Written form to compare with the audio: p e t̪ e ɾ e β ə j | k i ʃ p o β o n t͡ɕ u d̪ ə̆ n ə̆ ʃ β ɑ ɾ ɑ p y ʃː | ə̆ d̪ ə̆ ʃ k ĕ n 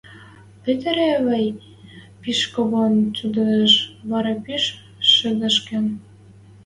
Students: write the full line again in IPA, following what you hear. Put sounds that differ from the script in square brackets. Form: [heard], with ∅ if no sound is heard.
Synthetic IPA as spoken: p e t̪ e ɾ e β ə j | [p] i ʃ [k] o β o n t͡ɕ u d̪ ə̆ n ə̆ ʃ β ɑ ɾ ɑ p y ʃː | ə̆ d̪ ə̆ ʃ k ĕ n